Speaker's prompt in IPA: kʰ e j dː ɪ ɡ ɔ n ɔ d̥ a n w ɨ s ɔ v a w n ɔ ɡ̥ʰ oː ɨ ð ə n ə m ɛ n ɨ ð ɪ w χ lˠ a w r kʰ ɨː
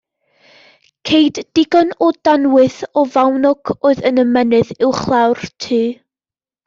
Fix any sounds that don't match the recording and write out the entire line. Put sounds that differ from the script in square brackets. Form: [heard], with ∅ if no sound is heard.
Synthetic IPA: kʰ e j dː ɪ ɡ ɔ n ɔ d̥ a n w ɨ [θ] ɔ v a w n ɔ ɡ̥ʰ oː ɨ ð ə n ə m ɛ n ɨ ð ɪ w χ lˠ a w r [tʰ] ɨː